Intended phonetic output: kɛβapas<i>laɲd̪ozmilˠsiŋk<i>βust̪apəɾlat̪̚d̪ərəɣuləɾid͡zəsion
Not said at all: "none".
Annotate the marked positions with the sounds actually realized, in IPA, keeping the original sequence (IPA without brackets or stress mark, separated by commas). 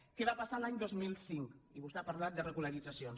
a, i